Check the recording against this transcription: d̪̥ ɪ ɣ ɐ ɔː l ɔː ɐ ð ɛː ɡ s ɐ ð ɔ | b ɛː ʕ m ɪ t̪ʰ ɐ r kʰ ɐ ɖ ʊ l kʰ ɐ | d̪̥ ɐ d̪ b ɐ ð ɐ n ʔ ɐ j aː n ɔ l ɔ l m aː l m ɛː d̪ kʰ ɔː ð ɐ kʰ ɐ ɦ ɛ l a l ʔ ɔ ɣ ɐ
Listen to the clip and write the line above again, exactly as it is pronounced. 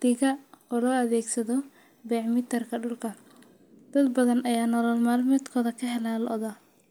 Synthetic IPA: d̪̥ ɪ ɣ ɐ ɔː l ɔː ɐ ð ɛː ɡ s ɐ ð ɔ | b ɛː ʕ m ɪ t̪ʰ ɐ r kʰ ɐ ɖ ʊ l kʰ ɐ | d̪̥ ɐ d̪ b ɐ ð ɐ n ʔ ɐ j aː n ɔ l ɔ l m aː l m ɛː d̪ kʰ ɔː ð ɐ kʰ ɐ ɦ ɛ l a l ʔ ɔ ð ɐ